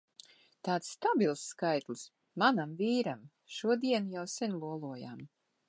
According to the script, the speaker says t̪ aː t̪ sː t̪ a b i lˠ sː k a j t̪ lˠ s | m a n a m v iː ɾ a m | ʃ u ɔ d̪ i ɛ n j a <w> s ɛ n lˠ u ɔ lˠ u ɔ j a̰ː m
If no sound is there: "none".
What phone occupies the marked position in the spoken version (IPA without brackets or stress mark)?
w